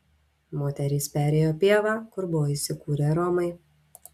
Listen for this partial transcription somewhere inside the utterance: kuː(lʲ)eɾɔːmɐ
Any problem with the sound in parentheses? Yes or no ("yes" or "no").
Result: yes